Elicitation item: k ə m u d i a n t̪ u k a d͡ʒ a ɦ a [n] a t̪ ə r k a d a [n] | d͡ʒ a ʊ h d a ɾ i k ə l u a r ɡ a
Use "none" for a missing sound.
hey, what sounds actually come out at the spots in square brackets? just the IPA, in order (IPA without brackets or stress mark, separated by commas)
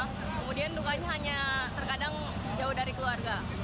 ɲ, ŋ